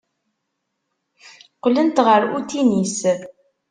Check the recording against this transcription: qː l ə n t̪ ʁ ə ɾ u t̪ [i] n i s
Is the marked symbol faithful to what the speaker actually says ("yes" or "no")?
yes